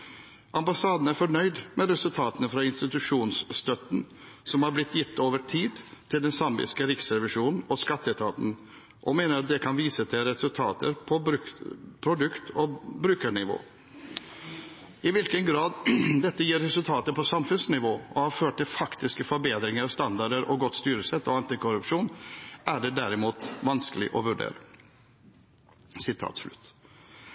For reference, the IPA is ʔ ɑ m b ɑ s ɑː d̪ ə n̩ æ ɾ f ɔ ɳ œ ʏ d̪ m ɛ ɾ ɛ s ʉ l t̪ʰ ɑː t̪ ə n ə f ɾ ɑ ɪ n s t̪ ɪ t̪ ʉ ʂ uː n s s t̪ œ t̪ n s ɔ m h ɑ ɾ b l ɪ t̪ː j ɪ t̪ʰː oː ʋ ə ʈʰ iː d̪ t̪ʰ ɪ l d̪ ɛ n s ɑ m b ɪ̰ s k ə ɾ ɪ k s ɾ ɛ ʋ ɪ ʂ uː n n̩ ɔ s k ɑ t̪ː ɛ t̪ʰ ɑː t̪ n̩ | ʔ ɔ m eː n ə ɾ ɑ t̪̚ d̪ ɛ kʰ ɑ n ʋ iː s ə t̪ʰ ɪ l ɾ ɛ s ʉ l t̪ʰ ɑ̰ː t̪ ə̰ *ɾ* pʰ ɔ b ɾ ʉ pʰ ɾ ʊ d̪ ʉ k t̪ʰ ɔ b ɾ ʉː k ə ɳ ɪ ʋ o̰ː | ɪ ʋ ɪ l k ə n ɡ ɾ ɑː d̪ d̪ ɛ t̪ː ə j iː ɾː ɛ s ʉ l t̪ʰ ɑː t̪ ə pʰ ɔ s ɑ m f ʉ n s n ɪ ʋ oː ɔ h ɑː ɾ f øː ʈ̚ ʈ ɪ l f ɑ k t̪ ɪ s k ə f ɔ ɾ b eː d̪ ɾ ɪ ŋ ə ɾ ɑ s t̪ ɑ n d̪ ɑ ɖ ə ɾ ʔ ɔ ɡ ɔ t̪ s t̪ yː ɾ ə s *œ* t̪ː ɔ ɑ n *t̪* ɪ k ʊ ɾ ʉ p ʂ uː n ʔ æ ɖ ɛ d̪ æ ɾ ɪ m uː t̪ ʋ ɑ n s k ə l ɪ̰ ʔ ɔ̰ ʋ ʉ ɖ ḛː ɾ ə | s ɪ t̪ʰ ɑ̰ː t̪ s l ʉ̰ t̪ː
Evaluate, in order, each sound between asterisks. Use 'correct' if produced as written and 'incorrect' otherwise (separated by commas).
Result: correct, incorrect, correct